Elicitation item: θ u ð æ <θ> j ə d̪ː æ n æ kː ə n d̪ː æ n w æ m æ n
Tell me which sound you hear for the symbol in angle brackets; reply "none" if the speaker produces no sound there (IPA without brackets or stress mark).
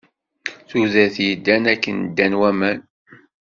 θ